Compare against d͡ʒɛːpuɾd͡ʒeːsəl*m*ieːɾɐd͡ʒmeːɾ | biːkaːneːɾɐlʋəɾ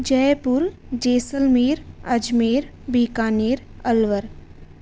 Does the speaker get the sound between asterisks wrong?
no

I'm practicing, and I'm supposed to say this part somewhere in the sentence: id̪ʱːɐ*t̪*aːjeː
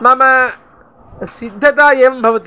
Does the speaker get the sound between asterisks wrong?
no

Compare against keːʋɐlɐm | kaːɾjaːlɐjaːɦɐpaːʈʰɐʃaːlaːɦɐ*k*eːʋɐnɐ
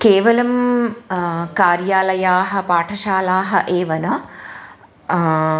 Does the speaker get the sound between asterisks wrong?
yes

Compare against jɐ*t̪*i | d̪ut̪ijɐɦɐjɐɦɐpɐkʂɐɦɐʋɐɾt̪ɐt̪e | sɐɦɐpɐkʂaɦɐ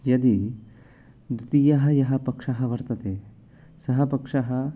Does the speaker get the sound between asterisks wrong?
yes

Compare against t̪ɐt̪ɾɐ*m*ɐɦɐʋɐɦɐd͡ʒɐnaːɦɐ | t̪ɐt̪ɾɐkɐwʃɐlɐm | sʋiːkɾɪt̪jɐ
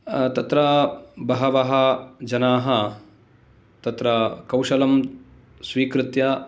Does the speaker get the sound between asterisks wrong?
yes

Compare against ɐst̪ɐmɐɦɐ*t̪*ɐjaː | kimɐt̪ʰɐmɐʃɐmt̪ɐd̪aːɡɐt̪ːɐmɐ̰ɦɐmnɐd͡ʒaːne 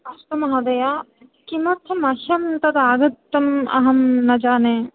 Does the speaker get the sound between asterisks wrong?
yes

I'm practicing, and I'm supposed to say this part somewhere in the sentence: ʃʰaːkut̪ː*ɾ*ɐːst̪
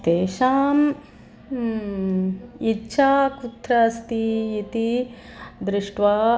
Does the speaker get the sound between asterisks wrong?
no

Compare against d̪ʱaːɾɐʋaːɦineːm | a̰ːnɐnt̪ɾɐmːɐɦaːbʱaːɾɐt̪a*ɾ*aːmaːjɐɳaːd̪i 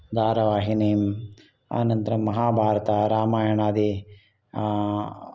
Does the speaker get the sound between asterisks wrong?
no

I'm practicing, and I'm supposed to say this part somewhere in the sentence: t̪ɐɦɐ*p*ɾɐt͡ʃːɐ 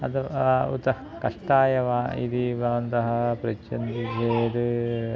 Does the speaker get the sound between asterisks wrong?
no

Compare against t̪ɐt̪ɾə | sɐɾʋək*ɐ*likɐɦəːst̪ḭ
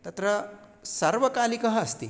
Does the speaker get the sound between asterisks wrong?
yes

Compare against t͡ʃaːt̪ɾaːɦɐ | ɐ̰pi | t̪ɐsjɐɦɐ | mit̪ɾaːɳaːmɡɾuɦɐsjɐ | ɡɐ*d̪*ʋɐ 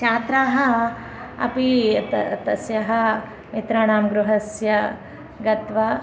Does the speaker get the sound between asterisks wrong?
yes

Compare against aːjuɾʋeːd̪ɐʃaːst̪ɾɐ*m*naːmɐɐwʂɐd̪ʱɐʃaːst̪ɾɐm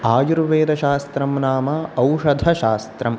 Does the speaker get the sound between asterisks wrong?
no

